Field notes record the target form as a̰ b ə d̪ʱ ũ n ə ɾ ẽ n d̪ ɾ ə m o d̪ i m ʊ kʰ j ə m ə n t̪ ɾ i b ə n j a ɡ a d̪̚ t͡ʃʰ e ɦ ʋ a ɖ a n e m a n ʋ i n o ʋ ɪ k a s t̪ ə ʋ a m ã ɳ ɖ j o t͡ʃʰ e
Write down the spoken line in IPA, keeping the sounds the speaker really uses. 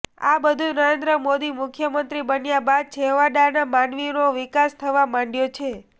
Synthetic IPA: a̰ b ə d̪ʱ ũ n ə ɾ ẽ n d̪ ɾ ə m o d̪ i m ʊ kʰ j ə m ə n t̪ ɾ i b ə n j a b a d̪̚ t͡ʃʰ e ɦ ʋ a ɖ a n a m a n ʋ i n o ʋ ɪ k a s t̪ʰ ə ʋ a m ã ɳ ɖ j o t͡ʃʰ e